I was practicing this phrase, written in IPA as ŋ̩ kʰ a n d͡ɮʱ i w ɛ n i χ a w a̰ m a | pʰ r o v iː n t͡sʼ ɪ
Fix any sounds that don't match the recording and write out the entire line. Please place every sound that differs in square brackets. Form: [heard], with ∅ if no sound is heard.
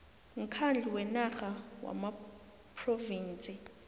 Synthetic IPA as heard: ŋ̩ kʰ a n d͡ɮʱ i w ɛ n [a] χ a w a̰ m a | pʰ r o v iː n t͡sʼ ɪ